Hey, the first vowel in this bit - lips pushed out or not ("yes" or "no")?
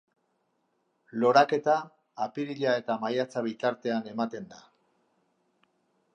yes